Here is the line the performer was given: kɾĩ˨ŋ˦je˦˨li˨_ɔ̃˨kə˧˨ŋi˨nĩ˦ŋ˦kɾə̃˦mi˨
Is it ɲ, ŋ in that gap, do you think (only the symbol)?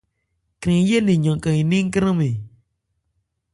ɲ